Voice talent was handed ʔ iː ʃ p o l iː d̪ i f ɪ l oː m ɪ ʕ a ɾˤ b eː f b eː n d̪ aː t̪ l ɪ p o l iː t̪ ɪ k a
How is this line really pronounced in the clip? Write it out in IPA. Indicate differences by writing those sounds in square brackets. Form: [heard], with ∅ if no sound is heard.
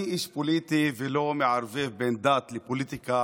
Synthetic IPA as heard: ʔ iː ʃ p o l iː [t̪] i [v] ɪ l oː m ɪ ʕ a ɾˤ [v] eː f b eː n d̪ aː t̪ l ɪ p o l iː t̪ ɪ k a